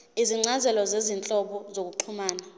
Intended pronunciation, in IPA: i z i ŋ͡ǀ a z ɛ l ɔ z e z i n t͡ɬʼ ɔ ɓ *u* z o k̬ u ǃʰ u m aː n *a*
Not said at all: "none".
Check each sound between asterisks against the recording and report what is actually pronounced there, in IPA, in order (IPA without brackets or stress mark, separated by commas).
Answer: ɔ, a